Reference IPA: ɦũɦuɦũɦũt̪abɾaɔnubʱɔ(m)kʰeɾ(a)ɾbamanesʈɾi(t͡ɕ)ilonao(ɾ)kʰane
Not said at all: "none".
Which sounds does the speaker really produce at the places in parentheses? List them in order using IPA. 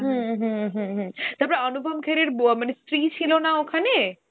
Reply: m, e, t͡ɕʰ, none

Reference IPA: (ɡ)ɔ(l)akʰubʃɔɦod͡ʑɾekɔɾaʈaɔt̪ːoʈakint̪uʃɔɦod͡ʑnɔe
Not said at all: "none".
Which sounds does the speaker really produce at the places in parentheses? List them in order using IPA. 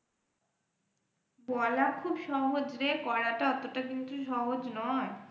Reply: b, l

